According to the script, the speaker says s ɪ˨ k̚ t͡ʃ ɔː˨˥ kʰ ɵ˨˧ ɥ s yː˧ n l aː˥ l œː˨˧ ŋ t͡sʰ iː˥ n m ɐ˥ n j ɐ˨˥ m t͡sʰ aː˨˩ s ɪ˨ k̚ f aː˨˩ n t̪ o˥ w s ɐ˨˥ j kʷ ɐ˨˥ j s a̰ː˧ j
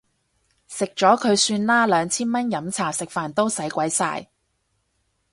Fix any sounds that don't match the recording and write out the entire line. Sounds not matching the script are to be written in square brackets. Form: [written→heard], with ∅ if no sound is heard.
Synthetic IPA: s ɪ˨ k̚ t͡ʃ ɔː˨˥ kʰ ɵ˨˧ ɥ s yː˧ n l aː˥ l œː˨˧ ŋ t͡sʰ iː˥ n m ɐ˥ n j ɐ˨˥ m t͡sʰ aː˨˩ s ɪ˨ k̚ f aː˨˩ n t̪ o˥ w s ɐ˨˥ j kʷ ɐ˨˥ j s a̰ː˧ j